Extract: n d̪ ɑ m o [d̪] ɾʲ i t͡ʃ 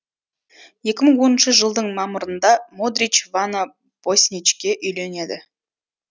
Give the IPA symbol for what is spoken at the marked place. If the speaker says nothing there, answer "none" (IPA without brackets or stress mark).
d̪